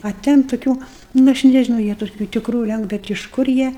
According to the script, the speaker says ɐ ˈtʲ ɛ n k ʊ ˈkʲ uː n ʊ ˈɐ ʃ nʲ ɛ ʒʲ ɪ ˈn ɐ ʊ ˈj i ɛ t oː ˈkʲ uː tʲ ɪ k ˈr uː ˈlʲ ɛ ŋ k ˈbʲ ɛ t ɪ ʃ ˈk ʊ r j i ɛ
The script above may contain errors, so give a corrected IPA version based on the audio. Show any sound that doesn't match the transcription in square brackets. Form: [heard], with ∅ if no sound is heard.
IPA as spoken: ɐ ˈtʲ ɛ n [t] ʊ ˈkʲ uː n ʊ ˈɐ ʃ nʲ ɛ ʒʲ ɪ ˈn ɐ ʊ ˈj i ɛ t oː ˈkʲ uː tʲ ɪ k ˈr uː ˈlʲ ɛ ŋ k ˈbʲ ɛ t ɪ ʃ ˈk ʊ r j i ɛ